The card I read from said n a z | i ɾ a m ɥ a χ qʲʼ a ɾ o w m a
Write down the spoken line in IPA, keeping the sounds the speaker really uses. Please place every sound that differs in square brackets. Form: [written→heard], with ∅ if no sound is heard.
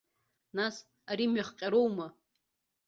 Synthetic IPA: n a [z→s] | [i→a] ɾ [a→i] m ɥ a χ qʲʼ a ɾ o w m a